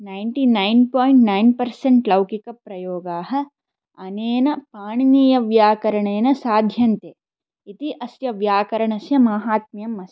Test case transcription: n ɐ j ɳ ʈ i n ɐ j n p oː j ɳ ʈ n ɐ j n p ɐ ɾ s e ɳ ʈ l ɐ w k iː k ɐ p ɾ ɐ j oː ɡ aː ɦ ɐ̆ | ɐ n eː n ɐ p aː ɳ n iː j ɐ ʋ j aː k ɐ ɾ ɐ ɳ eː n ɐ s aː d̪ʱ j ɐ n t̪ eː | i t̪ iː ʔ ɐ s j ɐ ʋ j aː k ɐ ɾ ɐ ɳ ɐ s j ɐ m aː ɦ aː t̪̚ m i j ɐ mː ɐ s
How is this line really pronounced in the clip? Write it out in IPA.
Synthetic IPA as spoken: n ɐ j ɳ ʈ i n ɐ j n p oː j ɳ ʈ n ɐ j n p ɐ ɾ s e ɳ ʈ l ɐ w k i k ɐ p ɾ ɐ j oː ɡ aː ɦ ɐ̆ | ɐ n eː n ɐ p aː ɳ n iː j ɐ ʋ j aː k ɐ ɾ ɐ ɳ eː n ɐ s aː d̪ʱ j ɐ n t̪ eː | i t̪ i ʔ ɐ s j ɐ ʋ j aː k ɐ ɾ ɐ ɳ ɐ s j ɐ m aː ɦ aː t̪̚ m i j ɐ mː ɐ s

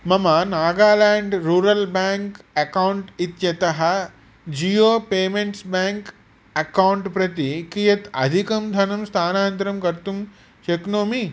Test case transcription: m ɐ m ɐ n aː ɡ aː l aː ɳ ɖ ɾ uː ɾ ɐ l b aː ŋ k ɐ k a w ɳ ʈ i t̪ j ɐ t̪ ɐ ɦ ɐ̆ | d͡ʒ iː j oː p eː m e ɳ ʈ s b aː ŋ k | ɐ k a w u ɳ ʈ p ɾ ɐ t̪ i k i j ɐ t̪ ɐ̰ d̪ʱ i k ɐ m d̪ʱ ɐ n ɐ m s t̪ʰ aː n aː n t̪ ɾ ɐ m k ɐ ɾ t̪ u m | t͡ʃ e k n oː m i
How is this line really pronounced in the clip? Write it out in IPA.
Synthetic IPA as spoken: m ɐ m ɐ n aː ɡ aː l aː ɳ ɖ ɾ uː ɾ ɐ l b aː ŋ k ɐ k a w ɳ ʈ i t̪ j ɐ t̪ ɐ ɦ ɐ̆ | d͡ʒ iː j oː p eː m e ɳ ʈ s b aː ŋ k | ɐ k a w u ɳ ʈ p ɾ ɐ t̪ i k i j ɐ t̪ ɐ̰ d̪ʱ i k ɐ m d̪ʱ ɐ n ɐ m s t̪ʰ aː n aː n t̪ ɾ ɐ m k ɐ ɾ t̪ u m | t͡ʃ e k n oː m i

